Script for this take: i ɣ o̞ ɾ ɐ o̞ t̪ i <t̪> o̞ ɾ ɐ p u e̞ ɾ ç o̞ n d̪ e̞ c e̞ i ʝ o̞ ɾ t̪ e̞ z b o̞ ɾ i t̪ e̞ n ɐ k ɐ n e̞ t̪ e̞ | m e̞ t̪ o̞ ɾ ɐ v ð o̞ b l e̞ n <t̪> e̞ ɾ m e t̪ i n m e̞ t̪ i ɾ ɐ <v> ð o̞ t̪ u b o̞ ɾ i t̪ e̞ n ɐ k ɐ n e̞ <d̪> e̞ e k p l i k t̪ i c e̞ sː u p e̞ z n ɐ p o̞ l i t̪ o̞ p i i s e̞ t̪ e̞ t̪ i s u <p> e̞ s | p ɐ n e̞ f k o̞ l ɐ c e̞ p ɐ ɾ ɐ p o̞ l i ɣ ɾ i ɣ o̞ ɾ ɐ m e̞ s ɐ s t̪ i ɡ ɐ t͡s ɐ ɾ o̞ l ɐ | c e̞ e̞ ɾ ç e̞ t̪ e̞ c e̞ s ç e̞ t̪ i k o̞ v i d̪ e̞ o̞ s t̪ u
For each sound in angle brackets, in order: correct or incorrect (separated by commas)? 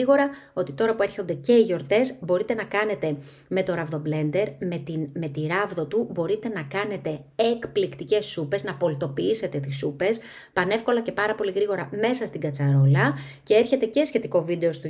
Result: correct, incorrect, correct, incorrect, correct